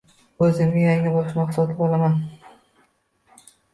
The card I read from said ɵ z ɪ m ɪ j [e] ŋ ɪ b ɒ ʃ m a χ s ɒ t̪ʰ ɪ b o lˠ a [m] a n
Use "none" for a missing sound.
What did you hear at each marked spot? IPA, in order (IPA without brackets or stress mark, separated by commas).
a, m